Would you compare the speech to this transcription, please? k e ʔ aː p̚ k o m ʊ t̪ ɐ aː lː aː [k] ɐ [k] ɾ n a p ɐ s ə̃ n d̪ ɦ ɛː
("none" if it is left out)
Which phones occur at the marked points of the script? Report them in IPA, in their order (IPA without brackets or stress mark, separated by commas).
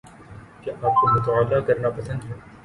k, none